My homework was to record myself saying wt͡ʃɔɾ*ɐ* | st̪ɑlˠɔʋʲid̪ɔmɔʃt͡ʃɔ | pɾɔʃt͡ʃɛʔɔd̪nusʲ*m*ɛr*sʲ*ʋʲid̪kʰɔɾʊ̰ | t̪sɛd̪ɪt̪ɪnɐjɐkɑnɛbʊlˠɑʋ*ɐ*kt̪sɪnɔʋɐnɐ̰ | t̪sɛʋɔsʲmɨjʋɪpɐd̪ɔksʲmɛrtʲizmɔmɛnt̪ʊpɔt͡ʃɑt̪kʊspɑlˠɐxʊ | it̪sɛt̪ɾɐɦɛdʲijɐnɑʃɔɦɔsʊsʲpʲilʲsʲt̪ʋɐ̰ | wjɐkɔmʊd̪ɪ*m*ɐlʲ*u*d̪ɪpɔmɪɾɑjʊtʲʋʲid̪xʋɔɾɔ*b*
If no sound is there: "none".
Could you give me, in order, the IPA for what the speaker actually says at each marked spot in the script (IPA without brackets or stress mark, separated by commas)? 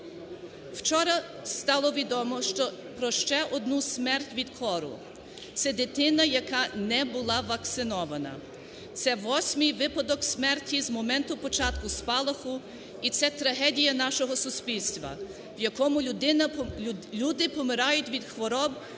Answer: ɐ, m, tʲ, ɐ, n, u, b